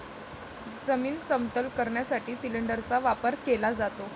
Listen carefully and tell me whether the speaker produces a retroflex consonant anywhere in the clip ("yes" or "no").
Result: yes